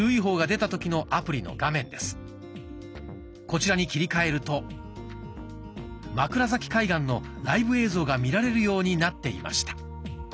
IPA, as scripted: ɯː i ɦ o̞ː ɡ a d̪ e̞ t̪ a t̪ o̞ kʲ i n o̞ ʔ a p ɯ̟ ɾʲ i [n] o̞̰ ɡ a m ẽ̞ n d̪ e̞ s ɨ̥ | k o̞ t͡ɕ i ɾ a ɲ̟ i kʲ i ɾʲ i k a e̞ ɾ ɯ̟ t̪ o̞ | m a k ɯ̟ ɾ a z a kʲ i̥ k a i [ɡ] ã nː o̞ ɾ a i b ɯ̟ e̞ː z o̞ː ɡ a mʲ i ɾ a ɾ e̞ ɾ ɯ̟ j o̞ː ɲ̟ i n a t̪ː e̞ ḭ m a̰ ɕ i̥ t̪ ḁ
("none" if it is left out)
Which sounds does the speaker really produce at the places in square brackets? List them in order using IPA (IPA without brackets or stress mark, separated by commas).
n, ɡ